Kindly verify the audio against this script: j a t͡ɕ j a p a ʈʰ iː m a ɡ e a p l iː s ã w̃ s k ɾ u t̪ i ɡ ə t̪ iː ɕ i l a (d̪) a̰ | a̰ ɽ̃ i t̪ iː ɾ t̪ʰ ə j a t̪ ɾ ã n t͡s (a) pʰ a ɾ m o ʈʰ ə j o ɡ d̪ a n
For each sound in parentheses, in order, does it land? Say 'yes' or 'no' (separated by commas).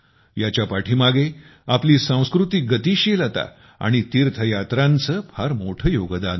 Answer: no, no